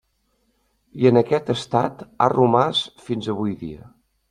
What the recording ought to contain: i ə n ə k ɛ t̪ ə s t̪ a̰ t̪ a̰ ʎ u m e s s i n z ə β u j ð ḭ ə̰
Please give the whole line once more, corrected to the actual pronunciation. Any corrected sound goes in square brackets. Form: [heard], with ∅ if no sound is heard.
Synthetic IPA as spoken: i ə n ə k ɛ t̪ ə s t̪ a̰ t̪ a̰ [r] u m [a] s [f] i n z ə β u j ð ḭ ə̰